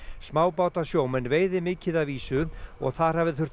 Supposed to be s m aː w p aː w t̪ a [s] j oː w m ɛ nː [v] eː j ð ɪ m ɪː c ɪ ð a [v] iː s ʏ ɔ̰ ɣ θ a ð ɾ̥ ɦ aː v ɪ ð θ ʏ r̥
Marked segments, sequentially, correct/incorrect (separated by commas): correct, correct, correct